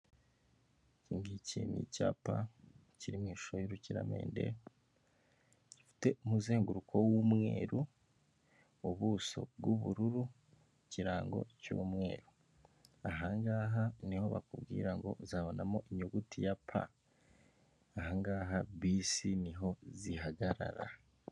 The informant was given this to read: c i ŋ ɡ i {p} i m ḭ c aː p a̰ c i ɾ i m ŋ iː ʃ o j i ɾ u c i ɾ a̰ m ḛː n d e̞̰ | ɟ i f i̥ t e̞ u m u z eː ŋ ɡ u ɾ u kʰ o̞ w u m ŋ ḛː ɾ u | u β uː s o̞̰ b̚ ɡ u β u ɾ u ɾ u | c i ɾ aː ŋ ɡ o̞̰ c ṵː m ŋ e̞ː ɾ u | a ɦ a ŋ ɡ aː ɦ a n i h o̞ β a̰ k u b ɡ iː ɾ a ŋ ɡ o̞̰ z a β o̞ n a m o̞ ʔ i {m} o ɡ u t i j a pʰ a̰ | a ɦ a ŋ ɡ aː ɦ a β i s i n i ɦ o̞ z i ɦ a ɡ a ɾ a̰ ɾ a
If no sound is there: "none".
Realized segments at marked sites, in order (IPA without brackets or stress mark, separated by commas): c, ɲ